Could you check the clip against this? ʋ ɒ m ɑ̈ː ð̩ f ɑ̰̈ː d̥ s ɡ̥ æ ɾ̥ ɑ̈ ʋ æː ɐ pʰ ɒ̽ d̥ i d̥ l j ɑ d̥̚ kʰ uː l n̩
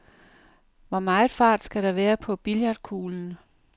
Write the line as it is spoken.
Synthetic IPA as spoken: ʋ ɒ m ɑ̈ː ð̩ f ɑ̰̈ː d̥ s ɡ̥ æ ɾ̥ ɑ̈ ʋ æː ɐ pʰ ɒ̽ b̥ i l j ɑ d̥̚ kʰ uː l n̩